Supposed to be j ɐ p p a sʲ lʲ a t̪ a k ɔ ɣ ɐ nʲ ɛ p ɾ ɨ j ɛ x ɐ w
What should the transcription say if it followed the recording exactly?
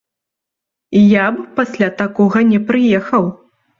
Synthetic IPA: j a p p a sʲ lʲ a t̪ a k ɔ ɣ ɐ nʲ ɛ p ɾ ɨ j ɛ x ɐ w